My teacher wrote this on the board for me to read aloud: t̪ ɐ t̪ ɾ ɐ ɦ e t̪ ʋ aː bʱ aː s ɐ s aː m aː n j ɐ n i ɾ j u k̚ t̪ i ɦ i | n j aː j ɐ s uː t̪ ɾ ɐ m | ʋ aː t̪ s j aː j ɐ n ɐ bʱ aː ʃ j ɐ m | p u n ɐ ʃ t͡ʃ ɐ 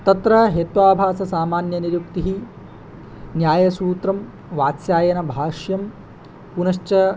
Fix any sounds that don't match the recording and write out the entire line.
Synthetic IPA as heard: t̪ ɐ t̪ ɾ ɐ ɦ e t̪ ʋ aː bʱ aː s ɐ s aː m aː n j ɐ n i ɾ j u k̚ t̪ i ɦ i | n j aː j ɐ s uː t̪ ɾ ɐ m | ʋ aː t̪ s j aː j ɐ n ɐ bʱ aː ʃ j ɐ m | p u n ɐ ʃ t͡ʃ ɐ